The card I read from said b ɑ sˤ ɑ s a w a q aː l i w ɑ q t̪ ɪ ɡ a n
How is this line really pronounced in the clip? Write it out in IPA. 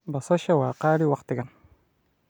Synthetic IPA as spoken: b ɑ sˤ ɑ ʃ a w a q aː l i w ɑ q t̪ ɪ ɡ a n